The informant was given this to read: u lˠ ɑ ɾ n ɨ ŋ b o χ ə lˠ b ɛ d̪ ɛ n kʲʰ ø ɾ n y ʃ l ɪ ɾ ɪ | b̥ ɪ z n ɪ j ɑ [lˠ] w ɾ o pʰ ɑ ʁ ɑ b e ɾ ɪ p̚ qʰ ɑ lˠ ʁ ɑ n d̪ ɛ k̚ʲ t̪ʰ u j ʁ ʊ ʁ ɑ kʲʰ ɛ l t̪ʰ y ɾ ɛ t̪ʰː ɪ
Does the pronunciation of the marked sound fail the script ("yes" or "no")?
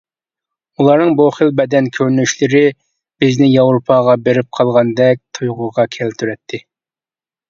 yes